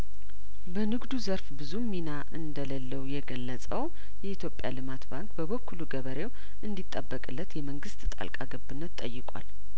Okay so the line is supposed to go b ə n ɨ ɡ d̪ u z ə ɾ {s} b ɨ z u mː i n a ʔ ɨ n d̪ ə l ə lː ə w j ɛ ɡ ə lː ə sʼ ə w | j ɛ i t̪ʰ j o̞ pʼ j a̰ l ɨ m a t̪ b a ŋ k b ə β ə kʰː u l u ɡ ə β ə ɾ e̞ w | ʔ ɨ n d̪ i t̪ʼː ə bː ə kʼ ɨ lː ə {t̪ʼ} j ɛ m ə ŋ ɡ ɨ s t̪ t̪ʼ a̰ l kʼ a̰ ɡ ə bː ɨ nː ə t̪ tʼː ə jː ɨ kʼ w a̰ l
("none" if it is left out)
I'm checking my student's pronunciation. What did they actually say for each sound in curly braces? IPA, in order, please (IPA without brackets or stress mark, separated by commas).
f, t̪